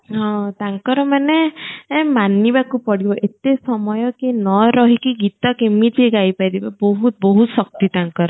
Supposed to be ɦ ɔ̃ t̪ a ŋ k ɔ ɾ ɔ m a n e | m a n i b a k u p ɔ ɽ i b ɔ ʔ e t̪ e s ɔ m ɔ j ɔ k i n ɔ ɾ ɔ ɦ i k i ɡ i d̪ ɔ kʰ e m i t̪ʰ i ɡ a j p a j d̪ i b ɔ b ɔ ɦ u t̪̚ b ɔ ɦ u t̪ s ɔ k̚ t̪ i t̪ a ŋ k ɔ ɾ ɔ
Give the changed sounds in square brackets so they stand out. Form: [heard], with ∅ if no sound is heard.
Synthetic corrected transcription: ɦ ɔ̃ t̪ a ŋ k ɔ ɾ ɔ m a n e | m a n i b a k u p ɔ ɽ i b ɔ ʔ e t̪ e s ɔ m ɔ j ɔ k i n ɔ ɾ ɔ ɦ i k i ɡ i [t̪] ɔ [k] e m i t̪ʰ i ɡ a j p a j d̪ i b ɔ b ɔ ɦ u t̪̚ b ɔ ɦ u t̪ s ɔ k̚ t̪ i t̪ a ŋ k ɔ ɾ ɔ

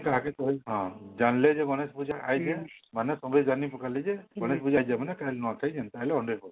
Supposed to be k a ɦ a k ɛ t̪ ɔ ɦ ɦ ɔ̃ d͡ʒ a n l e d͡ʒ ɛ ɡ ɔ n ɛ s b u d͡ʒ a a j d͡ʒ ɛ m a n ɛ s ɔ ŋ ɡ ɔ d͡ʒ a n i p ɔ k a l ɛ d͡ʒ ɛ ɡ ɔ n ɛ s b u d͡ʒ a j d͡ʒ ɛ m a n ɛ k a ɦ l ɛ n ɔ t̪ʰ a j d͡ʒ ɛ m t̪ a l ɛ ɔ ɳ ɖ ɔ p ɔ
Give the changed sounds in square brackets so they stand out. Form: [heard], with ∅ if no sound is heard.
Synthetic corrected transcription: k a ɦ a k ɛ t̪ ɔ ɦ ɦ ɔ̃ d͡ʒ a n l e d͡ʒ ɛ ɡ ɔ n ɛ s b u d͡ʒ a a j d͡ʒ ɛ m a n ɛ s ɔ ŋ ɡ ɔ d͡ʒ a n i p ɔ k a l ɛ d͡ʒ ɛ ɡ ɔ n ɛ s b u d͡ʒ a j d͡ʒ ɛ m a n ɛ k a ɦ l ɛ n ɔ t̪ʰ a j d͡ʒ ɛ [n] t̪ a l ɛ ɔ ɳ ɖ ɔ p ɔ

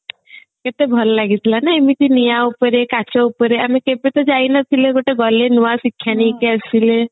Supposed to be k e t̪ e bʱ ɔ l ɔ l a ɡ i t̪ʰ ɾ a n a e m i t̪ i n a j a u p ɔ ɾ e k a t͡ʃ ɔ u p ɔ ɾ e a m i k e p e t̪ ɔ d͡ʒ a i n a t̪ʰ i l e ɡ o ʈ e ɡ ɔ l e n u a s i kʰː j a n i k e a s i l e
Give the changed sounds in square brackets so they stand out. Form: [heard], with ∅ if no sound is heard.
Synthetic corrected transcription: k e t̪ e bʱ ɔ l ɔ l a ɡ i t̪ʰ [l] a n a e m i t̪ i n [i] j a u p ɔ ɾ e k a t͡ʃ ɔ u p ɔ ɾ e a m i k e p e t̪ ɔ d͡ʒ a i n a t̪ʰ i l e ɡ o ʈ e ɡ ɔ l e n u a s i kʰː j a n i k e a s i l e

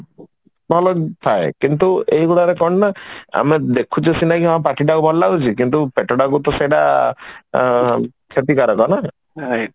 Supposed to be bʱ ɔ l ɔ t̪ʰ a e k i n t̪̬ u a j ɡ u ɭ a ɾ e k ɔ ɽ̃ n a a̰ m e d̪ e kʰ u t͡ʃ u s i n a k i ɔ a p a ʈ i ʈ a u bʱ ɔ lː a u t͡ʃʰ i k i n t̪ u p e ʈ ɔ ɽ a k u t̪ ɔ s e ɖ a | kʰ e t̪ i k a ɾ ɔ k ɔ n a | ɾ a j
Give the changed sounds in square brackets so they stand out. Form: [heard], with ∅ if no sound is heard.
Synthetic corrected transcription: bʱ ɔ l ɔ t̪ʰ a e k i n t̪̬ u [e] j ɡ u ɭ a ɾ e k ɔ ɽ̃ n a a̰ m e d̪ e kʰ u t͡ʃ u s i n a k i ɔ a p a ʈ i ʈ a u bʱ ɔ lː a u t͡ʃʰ i k i n t̪ u p e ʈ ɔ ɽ a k u t̪ ɔ s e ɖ a | kʰ e t̪ i k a ɾ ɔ k ɔ n a | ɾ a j

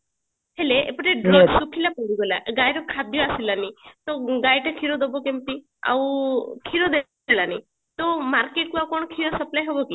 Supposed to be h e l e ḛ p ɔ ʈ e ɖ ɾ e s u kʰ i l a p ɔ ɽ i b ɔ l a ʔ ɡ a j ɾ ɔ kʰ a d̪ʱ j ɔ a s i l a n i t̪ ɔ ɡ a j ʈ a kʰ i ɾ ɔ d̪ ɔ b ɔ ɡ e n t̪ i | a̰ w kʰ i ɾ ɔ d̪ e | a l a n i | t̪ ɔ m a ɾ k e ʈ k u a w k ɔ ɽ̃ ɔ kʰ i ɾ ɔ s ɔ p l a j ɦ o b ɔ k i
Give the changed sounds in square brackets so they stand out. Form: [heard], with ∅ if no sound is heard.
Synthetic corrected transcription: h e l e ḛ p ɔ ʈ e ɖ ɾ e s u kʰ i l a p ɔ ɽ i [ɡ] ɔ l a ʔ ɡ a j ɾ ɔ kʰ a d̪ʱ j ɔ a s i l a n i t̪ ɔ ɡ a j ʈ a kʰ i ɾ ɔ d̪ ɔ b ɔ [k] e [m] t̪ i | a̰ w kʰ i ɾ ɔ d̪ e | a l a n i | t̪ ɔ m a ɾ k e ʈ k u a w k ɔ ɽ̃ ɔ kʰ i ɾ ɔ s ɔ p l a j ɦ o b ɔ k i

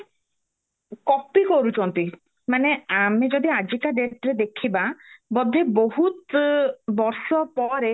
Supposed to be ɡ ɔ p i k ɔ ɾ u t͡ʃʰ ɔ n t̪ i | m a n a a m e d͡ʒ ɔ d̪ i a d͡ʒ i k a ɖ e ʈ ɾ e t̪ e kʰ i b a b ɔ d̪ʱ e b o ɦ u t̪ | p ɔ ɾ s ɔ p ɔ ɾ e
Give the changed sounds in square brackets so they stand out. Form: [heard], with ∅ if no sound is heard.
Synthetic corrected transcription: [k] ɔ p i k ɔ ɾ u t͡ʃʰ ɔ n t̪ i | m a n [e] a m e d͡ʒ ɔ d̪ i a d͡ʒ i k a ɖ e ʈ ɾ e [d̪] e kʰ i b a b ɔ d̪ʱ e b o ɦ u t̪ | [b] ɔ ɾ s ɔ p ɔ ɾ e

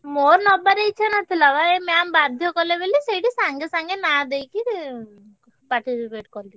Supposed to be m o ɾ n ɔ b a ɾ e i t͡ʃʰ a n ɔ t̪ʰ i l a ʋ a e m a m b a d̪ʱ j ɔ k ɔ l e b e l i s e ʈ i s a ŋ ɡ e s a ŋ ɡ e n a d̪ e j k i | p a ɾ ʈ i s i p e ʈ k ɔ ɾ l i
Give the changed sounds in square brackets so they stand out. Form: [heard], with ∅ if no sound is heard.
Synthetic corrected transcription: m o ɾ n ɔ b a ɾ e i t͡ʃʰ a n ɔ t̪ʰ i l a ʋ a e m a m b a d̪ʱ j ɔ k ɔ l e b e l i s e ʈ i s a ŋ ɡ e s a ŋ ɡ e n a d̪ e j k i | p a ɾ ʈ i s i p e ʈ k ɔ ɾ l i

